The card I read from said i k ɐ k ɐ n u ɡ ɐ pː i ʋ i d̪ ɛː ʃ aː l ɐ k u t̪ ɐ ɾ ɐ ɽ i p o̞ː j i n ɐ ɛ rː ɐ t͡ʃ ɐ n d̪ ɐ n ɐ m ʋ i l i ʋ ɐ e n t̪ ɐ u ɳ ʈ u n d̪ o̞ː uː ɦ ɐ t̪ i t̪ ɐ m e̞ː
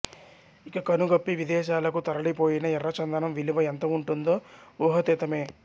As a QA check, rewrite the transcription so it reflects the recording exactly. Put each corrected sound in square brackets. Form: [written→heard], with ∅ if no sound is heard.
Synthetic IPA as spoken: i k ɐ k ɐ n u ɡ ɐ pː i ʋ i d̪ ɛː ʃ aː l ɐ k u t̪ ɐ ɾ ɐ ɽ i p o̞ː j i n ɐ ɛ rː ɐ t͡ʃ ɐ n d̪ ɐ n ɐ m ʋ i l i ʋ ɐ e n t̪ ɐ u ɳ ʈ u n d̪ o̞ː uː ɦ ɐ t̪ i t̪ ɐ m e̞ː

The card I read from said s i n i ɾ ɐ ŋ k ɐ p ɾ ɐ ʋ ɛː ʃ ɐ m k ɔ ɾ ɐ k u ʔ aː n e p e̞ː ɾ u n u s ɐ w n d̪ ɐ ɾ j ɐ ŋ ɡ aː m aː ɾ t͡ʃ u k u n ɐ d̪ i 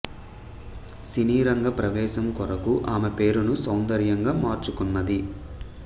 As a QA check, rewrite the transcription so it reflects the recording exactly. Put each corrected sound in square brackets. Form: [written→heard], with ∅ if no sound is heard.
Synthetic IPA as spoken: s i n [i→iː] ɾ ɐ ŋ [k→ɡ] ɐ p ɾ ɐ ʋ ɛː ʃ ɐ m k ɔ ɾ ɐ k u ʔ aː [n→m] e p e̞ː ɾ u n u s ɐ w n d̪ ɐ ɾ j ɐ ŋ ɡ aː m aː ɾ t͡ʃ u k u [n→nː] ɐ d̪ i

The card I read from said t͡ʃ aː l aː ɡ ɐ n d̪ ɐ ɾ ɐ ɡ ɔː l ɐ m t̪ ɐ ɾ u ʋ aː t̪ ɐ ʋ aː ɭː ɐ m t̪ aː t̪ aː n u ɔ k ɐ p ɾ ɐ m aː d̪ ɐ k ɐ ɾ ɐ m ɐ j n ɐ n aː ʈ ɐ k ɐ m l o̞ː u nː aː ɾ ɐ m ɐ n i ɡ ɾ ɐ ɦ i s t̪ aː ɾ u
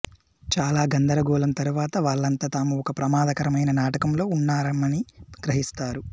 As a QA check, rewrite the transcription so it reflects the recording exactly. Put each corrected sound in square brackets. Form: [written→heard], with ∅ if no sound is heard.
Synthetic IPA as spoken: t͡ʃ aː l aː ɡ ɐ n d̪ ɐ ɾ ɐ ɡ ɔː l ɐ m t̪ ɐ ɾ u ʋ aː t̪ ɐ ʋ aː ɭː ɐ [m→n] t̪ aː t̪ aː [n→m] u ɔ k ɐ p ɾ ɐ m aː d̪ ɐ k ɐ ɾ ɐ m ɐ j n ɐ n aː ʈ ɐ k ɐ m l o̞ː u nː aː ɾ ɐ m ɐ n i ɡ ɾ ɐ ɦ i s t̪ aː ɾ u

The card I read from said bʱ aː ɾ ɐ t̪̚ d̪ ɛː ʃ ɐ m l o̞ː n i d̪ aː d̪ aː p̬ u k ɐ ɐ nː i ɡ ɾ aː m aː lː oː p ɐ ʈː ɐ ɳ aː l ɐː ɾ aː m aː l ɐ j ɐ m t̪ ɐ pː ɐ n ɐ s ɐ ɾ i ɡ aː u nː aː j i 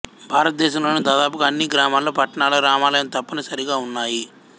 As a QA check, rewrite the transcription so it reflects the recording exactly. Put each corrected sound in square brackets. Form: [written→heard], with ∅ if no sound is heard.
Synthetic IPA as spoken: bʱ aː ɾ ɐ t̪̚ d̪ ɛː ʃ ɐ m l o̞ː n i d̪ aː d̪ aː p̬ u k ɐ ɐ nː i ɡ ɾ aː m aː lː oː p ɐ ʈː ɐ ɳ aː l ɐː ɾ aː m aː l ɐ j ɐ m t̪ ɐ pː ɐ n ɐ s ɐ ɾ i ɡ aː u nː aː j i

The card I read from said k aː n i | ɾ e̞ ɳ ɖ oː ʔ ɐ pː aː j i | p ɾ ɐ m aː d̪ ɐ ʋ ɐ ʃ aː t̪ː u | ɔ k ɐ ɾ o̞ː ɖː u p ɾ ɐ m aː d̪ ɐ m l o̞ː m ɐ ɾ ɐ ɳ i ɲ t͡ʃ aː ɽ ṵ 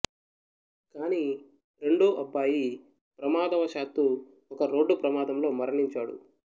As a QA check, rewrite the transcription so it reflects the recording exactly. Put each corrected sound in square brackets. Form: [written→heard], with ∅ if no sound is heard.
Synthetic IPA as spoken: k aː n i | ɾ e̞ ɳ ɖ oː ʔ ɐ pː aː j i | p ɾ ɐ m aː d̪ ɐ ʋ ɐ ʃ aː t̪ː u | ɔ k ɐ ɾ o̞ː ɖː u p ɾ ɐ m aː d̪ ɐ m l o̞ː m ɐ ɾ ɐ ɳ i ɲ t͡ʃ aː ɽ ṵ

